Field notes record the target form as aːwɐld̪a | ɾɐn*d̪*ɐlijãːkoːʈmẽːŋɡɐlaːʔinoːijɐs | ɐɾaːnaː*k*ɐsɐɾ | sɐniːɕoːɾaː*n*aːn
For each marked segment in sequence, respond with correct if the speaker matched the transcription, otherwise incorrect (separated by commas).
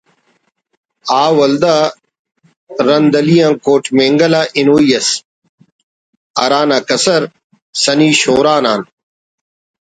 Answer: correct, correct, correct